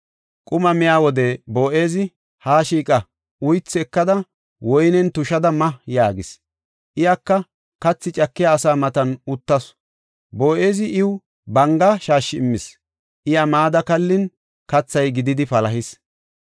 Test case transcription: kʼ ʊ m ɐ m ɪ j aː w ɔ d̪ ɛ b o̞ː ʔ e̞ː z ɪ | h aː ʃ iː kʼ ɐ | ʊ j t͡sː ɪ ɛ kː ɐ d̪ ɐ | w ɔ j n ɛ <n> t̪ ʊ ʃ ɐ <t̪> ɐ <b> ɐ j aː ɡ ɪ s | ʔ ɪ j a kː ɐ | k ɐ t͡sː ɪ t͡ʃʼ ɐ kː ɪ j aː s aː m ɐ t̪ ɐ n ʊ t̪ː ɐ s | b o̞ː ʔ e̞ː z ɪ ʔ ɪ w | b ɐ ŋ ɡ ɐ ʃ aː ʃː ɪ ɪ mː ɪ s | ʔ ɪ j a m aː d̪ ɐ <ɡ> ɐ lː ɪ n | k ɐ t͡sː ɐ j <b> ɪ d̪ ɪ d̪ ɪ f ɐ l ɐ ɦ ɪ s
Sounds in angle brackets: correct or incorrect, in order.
correct, incorrect, incorrect, incorrect, incorrect

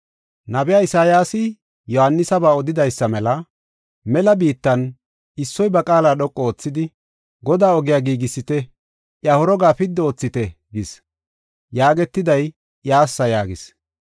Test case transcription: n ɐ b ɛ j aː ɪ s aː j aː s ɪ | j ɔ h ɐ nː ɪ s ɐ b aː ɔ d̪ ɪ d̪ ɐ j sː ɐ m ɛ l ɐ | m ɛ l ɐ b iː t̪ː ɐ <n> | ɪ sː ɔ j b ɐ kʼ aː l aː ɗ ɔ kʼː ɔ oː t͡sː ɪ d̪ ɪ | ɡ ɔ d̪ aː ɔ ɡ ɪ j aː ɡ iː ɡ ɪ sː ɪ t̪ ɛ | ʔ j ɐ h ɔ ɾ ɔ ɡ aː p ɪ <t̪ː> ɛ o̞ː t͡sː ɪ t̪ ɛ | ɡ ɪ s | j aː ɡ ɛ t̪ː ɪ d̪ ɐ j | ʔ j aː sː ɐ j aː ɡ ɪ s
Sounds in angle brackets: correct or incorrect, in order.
correct, incorrect

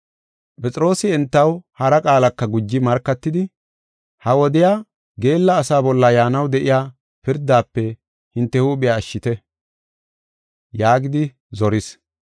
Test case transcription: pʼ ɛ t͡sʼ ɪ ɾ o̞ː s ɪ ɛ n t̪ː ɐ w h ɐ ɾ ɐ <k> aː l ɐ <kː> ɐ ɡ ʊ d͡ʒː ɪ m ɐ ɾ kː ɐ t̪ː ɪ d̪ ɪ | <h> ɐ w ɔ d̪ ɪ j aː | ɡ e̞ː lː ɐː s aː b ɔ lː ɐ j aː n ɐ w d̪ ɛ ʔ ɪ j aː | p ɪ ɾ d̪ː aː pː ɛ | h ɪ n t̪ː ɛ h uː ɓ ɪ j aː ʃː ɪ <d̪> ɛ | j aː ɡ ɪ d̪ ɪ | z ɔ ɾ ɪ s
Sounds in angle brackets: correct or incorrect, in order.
incorrect, correct, correct, incorrect

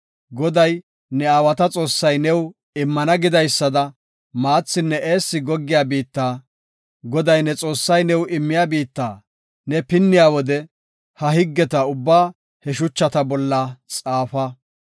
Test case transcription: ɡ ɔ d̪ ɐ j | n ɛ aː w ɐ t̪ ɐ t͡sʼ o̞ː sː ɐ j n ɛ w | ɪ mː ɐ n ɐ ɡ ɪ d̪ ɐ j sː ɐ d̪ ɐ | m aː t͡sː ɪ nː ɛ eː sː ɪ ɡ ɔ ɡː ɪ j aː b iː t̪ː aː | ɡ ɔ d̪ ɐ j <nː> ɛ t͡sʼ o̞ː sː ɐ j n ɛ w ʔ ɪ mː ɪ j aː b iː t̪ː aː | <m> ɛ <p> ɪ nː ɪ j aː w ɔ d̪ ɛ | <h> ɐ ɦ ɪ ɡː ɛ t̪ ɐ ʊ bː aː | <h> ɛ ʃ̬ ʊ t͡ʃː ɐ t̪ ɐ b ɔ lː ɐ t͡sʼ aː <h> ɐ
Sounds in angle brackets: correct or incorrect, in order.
incorrect, incorrect, correct, correct, correct, incorrect

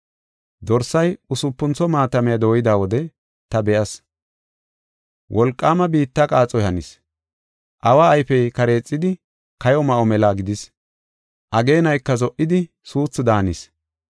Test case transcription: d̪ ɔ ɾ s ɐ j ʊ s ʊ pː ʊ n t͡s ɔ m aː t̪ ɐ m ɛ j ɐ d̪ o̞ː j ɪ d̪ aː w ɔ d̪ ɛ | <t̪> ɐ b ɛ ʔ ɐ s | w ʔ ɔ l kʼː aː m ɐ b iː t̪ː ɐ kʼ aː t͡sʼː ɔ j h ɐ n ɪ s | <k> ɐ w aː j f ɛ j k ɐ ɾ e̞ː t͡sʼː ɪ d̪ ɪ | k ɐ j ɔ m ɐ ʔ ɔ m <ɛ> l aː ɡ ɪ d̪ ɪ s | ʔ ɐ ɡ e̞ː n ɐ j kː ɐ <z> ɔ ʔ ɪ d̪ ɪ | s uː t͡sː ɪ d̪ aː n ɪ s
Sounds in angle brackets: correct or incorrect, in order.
correct, incorrect, correct, correct

